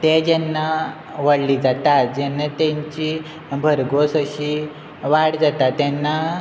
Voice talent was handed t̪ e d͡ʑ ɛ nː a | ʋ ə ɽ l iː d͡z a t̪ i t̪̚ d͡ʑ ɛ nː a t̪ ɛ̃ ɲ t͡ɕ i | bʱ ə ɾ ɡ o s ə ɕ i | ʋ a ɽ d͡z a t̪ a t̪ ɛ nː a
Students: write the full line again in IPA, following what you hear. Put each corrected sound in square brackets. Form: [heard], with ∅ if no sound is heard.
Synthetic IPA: t̪ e d͡ʑ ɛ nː a | ʋ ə ɽ l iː d͡z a t̪ [a] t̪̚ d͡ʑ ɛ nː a t̪ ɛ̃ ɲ t͡ɕ i | bʱ ə ɾ ɡ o s ə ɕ i | ʋ a ɽ d͡z a t̪ a t̪ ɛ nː a